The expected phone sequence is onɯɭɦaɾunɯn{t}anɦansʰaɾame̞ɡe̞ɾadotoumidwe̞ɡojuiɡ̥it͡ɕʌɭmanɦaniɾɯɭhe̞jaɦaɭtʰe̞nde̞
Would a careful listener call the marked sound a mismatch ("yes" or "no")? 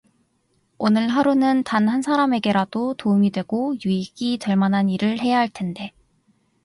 no